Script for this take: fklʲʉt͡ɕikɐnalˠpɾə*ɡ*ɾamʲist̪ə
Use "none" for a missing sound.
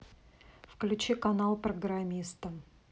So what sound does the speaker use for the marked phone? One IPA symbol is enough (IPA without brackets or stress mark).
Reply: ɡ